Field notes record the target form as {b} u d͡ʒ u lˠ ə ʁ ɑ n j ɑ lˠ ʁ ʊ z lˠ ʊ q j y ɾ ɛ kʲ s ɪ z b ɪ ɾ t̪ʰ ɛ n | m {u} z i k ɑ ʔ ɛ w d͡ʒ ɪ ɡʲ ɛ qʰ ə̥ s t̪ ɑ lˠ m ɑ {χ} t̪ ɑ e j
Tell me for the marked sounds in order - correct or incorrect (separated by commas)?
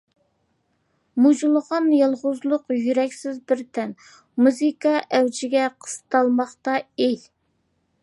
incorrect, correct, correct